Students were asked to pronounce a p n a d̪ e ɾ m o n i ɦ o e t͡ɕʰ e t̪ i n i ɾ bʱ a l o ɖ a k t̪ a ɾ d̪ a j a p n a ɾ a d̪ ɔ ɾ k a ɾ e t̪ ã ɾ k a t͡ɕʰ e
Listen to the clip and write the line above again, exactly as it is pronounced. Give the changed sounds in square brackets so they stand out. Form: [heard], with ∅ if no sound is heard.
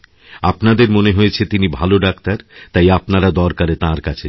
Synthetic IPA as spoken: a p n a d̪ e ɾ m o n [e] ɦ o e t͡ɕʰ e t̪ i n i [∅] bʱ a l o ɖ a k t̪ a ɾ [t̪] a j a p n a ɾ a d̪ ɔ ɾ k a ɾ e t̪ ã ɾ k a t͡ɕʰ e